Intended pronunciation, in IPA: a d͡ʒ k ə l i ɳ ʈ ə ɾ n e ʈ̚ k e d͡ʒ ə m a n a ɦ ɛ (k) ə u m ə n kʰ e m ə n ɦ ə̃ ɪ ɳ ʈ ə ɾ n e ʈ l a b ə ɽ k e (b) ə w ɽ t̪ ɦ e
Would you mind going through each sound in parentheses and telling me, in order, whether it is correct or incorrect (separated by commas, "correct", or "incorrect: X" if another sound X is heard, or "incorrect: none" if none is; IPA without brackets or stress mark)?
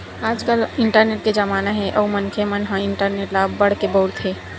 incorrect: ʔ, correct